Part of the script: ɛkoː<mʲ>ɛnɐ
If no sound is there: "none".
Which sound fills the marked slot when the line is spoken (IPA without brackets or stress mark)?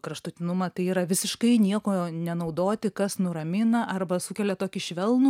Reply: nʲ